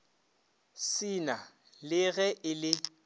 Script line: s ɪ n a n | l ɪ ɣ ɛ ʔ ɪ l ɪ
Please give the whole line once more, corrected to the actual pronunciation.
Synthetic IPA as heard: s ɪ n a | l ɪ ɣ ɛ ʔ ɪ l ɪ